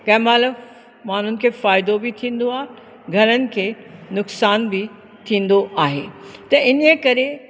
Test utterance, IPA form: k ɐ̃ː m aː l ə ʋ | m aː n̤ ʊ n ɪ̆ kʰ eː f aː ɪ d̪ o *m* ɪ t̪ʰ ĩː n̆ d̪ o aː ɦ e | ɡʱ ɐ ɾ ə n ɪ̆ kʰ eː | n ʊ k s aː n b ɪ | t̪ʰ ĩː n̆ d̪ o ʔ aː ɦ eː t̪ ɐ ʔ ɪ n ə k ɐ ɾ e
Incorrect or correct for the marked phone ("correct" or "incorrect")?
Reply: incorrect